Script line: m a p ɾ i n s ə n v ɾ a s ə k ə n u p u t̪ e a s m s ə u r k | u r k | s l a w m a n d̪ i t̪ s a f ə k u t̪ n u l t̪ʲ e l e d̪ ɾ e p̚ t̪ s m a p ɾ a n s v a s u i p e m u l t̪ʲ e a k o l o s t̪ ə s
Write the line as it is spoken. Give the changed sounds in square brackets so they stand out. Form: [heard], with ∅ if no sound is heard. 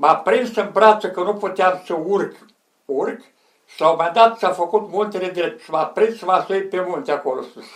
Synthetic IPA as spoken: m a p ɾ i n s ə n [b] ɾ a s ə k ə n u p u t̪ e a [∅] m s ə u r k | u r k | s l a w m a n d̪ [a] t̪ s a f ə k u t̪ [m] u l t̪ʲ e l e d̪ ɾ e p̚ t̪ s m a p ɾ [i] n s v a s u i p e m u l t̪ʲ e a k o l o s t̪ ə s